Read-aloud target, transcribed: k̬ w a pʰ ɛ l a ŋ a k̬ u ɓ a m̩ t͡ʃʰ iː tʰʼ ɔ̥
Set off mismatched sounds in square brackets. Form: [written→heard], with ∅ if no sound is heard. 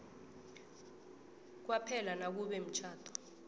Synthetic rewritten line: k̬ w a pʰ ɛ l a [ŋ→n] a k̬ u ɓ [a→ɛ] m̩ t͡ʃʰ [iː→aː] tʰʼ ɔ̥